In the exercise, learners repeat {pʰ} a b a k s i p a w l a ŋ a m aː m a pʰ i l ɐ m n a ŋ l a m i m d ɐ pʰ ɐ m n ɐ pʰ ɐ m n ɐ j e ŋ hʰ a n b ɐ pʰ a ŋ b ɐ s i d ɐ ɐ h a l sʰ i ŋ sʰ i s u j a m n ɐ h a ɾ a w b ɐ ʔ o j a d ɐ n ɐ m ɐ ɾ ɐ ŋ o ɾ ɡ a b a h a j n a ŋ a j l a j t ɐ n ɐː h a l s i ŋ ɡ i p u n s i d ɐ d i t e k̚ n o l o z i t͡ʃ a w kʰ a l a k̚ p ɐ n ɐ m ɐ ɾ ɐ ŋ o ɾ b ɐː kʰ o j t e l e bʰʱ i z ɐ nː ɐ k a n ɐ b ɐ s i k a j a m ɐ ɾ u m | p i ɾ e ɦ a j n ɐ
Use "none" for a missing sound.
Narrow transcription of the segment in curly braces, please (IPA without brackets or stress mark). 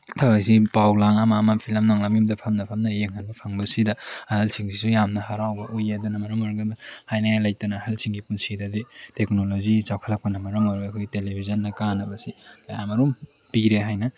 tʰ